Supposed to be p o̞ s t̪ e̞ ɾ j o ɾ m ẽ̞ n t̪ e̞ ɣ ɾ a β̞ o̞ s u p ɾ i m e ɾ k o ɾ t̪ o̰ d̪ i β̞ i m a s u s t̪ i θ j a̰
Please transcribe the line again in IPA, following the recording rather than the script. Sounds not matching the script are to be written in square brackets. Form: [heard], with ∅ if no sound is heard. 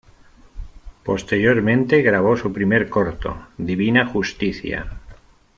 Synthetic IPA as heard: p o̞ s t̪ e̞ ɾ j o ɾ m ẽ̞ n t̪ e̞ ɣ ɾ a β̞ o̞ s u p ɾ i m e ɾ k o ɾ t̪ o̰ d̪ i β̞ i [n] a [x] u s t̪ i θ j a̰